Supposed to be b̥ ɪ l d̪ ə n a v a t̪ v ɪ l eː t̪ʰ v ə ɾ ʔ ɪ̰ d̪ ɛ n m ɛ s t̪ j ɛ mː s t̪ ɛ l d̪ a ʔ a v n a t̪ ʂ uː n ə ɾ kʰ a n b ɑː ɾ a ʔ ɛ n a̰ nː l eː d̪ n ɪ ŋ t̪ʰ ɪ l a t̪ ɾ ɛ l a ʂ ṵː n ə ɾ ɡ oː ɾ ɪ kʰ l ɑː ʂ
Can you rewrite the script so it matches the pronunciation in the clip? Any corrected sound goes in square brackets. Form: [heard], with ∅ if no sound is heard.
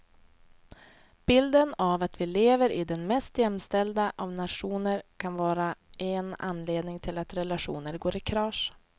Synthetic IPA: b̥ ɪ l d̪ ə n a v a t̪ v ɪ l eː [∅] v ə ɾ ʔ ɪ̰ d̪ ɛ n m ɛ s t̪ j ɛ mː s t̪ ɛ l d̪ a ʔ a v n a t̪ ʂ uː n ə ɾ kʰ a n [v] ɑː ɾ a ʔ ɛ n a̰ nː l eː d̪ n ɪ ŋ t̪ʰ ɪ l a t̪ ɾ ɛ l a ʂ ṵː n ə ɾ ɡ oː ɾ ɪ kʰ [ɾ] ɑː ʂ